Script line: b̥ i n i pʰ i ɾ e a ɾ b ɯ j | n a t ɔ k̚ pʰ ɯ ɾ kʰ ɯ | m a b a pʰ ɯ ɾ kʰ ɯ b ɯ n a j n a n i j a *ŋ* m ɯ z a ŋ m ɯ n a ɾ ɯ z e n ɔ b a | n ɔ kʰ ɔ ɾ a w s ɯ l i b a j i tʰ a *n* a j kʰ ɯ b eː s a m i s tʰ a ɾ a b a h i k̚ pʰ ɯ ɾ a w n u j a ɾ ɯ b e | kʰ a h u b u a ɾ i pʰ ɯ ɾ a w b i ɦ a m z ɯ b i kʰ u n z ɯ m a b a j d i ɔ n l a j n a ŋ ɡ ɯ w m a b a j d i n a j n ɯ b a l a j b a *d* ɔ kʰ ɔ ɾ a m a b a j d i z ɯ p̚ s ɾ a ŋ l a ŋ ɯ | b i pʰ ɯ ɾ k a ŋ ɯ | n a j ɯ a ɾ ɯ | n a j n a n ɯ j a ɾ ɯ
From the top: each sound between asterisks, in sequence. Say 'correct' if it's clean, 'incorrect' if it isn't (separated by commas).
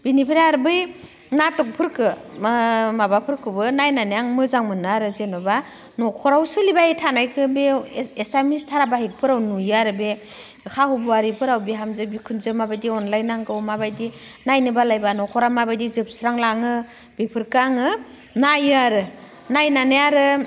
correct, correct, incorrect